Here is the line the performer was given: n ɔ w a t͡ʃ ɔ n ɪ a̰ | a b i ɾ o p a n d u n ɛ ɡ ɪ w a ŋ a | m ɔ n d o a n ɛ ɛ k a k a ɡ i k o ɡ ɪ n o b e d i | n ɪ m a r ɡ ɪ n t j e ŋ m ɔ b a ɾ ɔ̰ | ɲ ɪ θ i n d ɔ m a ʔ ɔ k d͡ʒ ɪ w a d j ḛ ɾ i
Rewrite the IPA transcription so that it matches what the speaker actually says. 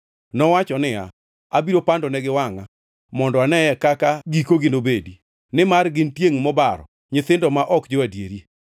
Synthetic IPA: n ɔ w a t͡ʃ ɔ n ɪ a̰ | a b i ɾ o p a n d ɔ n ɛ ɡ ɪ w a ŋ a | m ɔ n d ɔ a n ɛ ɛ k a k a ɡ i k o ɡ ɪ n o b e d i | n ɪ m a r ɡ ɪ n t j e ŋ m ɔ b a ɾ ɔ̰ | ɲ ɪ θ ɪ n d ɔ m a ʔ ɔ k d͡ʒ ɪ w a d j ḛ ɾ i